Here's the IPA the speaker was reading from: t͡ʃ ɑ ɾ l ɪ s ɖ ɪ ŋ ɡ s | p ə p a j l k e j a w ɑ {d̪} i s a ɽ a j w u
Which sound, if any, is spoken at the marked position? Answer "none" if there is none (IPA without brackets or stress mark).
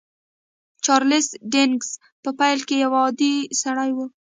d̪